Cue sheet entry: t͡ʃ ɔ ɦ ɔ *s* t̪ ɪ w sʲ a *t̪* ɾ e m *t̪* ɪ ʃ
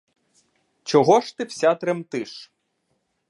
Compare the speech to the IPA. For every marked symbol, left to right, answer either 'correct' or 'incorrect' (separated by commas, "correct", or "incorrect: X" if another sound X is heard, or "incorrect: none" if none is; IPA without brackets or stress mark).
incorrect: ʃ, correct, correct